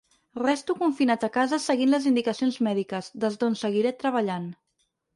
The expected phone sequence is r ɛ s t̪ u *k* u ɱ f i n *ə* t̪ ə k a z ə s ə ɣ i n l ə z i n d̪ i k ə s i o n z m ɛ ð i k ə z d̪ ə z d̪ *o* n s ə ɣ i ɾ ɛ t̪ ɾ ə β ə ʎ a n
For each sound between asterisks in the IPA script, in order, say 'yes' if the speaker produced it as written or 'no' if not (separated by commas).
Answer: yes, no, yes